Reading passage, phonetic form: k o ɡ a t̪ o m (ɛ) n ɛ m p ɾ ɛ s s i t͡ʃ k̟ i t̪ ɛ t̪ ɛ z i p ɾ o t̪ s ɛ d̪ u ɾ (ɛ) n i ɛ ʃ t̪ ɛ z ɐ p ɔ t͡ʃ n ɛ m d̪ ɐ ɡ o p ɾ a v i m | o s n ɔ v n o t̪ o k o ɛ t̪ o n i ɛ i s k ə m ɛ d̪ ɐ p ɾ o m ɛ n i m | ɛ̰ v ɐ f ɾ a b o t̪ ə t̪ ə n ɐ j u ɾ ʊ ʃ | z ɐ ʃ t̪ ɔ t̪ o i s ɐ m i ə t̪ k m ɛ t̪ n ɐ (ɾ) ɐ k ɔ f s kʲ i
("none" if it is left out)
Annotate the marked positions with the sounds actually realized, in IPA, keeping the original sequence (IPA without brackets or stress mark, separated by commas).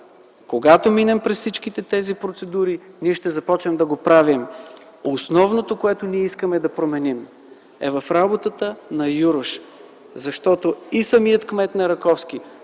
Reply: i, i, ɾ